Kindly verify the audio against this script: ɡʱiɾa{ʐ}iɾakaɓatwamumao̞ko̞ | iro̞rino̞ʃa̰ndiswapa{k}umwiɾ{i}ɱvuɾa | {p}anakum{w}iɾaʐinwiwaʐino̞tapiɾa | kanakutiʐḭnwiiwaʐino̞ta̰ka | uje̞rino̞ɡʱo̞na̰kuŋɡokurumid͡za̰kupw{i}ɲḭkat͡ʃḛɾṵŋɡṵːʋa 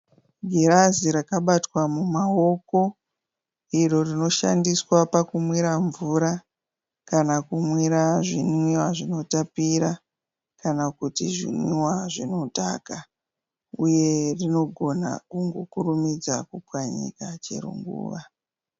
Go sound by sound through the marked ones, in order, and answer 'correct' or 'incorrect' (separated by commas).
incorrect, correct, incorrect, incorrect, correct, incorrect